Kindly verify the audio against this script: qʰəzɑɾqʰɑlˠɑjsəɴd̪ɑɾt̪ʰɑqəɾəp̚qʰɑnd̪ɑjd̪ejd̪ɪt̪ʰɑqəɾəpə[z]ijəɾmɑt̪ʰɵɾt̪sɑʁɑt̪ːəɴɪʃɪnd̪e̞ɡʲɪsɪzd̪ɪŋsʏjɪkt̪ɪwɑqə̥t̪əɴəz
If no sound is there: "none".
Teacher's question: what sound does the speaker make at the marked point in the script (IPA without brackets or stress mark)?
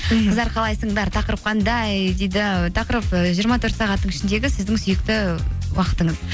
ʒ